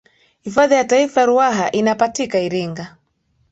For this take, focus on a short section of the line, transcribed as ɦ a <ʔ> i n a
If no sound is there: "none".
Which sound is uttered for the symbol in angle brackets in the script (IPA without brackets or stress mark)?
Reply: ʔ